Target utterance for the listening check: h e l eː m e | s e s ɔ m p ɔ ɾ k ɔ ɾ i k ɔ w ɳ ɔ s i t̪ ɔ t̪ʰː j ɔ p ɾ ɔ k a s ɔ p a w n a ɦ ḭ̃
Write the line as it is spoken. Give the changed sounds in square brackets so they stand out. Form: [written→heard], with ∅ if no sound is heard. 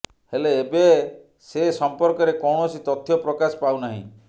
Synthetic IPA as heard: h e l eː [m→b] e | s e s ɔ m p ɔ ɾ k ɔ ɾ [i→e] k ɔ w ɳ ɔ s i t̪ ɔ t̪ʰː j ɔ p ɾ ɔ k a s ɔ p a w n a ɦ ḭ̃